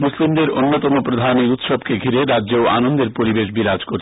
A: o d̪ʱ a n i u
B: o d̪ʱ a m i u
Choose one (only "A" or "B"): A